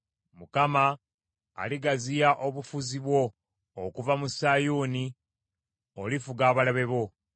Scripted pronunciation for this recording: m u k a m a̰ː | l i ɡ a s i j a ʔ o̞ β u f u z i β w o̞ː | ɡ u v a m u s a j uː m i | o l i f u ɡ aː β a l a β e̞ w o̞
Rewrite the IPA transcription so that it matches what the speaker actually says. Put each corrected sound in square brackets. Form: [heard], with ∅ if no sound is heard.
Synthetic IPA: m u k a m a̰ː | l i ɡ a [z] i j a ʔ o̞ β u f u z i β w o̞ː | [k] u v a m u s a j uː [n] i | o l i f u ɡ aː β a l a β e̞ [β] o̞